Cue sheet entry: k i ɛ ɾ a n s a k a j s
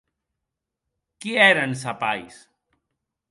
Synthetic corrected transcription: k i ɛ ɾ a n s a p a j s